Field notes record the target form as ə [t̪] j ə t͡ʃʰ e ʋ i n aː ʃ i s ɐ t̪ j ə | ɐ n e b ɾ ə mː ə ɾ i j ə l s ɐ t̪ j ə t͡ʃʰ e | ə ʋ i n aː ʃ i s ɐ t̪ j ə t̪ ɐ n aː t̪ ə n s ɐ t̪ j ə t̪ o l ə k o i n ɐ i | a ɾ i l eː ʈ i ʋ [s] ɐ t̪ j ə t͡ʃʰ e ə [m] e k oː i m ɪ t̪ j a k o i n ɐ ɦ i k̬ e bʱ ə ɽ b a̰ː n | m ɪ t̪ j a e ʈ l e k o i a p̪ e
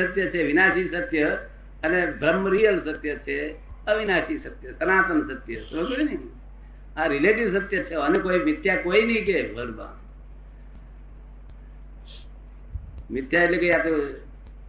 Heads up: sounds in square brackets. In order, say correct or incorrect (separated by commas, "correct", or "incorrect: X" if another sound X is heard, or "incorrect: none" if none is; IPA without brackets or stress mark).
correct, correct, incorrect: n